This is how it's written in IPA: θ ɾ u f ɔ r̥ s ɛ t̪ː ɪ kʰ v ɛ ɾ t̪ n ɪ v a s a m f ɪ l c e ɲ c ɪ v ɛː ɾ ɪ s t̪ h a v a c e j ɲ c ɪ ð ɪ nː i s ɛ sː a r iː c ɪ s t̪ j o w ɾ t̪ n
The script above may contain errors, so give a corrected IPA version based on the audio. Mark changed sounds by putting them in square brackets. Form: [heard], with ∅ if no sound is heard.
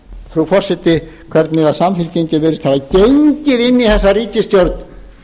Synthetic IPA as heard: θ ɾ u f ɔ r̥ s ɛ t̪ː ɪ kʰ v ɛ ɾ t̪ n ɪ [ð] a s a m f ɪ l c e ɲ c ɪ v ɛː ɾ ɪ s t̪ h a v a c e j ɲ c ɪ ð ɪ nː i [θ] ɛ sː a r iː c ɪ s t̪ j o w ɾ t̪ n